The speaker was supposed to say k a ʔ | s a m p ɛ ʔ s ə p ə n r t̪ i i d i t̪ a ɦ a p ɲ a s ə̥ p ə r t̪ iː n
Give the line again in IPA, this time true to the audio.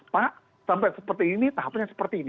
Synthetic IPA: p a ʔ | s a m p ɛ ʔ s ə p ə r t̪ i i n i t̪ a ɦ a p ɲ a s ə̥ p ə r t̪ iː n